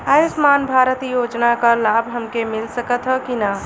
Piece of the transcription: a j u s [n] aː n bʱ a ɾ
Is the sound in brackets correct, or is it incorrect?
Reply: incorrect